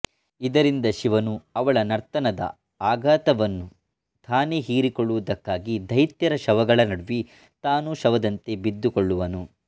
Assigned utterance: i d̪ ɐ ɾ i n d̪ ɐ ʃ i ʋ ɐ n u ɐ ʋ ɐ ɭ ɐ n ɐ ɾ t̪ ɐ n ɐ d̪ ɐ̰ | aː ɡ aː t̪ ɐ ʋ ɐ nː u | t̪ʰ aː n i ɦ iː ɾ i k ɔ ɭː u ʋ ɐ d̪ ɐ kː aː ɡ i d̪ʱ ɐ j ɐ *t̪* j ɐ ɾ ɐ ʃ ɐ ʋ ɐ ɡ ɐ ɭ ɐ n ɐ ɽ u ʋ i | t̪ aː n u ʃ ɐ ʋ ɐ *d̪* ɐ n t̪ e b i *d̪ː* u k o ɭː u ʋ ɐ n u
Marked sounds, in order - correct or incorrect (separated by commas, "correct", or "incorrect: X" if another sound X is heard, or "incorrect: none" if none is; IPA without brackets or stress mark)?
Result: correct, correct, correct